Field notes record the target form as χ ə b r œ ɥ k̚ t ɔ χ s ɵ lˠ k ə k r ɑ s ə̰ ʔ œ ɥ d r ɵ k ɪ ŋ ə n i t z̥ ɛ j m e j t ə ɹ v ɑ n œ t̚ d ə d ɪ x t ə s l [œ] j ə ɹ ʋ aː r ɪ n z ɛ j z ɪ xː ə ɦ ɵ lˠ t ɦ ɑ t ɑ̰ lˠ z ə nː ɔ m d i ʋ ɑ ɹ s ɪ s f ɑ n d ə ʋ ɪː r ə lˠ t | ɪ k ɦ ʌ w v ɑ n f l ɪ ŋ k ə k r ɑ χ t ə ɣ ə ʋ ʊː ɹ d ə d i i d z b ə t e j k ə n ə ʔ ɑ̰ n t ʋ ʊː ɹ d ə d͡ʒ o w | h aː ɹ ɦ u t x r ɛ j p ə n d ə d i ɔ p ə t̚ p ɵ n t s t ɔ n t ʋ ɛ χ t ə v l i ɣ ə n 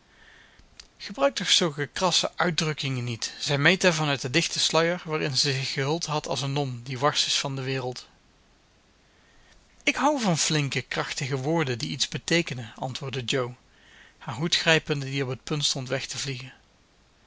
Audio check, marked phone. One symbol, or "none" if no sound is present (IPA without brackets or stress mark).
œ